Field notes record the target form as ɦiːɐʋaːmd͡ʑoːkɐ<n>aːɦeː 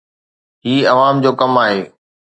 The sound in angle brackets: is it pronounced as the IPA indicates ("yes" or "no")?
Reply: no